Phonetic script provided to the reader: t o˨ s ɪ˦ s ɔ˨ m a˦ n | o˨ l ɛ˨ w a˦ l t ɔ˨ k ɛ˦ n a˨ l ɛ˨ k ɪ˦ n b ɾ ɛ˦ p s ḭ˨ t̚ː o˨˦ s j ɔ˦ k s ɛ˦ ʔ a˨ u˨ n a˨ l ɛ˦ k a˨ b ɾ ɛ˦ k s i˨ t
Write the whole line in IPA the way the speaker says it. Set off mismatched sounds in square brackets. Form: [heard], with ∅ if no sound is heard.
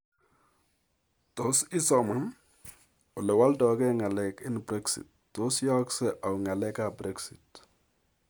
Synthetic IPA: t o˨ s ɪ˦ s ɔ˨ m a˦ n | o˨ l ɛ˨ w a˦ l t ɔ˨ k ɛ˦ [ŋ] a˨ l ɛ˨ k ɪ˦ n b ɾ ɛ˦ [k] s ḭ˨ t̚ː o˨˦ s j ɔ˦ k s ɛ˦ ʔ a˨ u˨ [ŋ] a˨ l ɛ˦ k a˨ b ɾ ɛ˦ k s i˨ t